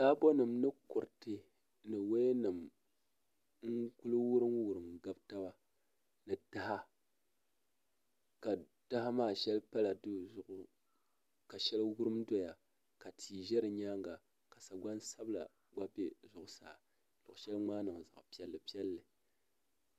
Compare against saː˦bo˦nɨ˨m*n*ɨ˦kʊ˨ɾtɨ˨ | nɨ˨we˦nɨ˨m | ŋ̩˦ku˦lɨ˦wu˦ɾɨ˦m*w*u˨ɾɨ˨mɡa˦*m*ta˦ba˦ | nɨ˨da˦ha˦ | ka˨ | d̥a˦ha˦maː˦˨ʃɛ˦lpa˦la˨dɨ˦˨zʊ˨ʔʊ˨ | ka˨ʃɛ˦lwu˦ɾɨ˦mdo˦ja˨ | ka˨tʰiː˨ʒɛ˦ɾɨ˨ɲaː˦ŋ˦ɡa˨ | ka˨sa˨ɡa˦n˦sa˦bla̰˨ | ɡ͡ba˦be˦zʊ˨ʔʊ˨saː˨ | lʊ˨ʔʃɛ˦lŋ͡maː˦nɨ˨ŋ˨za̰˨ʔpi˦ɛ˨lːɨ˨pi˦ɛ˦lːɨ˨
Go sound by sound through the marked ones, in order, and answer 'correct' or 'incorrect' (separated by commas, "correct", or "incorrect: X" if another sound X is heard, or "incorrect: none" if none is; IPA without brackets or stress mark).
correct, correct, incorrect: b